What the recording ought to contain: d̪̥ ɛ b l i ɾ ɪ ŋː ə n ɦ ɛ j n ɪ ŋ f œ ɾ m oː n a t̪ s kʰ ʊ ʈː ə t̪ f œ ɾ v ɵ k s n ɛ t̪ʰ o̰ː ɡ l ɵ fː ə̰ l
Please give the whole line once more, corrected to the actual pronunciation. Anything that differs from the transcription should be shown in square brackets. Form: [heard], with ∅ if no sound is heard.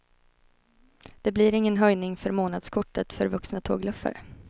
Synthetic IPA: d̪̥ ɛ b l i ɾ ɪ ŋː ə n ɦ [œ] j n ɪ ŋ f œ ɾ m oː n a [d̪] s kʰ ʊ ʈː ə t̪ f œ ɾ v ɵ k s n [a] t̪ʰ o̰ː ɡ l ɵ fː ə̰ [ɾ]

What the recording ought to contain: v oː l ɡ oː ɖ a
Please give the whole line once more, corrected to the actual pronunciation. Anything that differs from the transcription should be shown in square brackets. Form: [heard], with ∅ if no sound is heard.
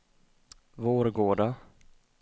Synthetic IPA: v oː [ɾ] ɡ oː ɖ a

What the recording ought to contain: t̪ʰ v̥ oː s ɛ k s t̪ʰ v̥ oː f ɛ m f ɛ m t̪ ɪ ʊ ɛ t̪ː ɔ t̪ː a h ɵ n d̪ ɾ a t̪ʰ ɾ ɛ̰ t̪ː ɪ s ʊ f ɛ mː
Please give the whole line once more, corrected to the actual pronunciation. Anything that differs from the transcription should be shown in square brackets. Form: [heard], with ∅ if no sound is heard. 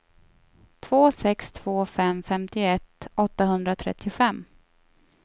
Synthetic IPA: t̪ʰ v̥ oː s ɛ k s t̪ʰ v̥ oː f ɛ m f ɛ m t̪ ɪ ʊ ɛ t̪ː ɔ t̪ː a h ɵ n d̪ ɾ a t̪ʰ ɾ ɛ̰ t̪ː ɪ [∅] ʊ f ɛ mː

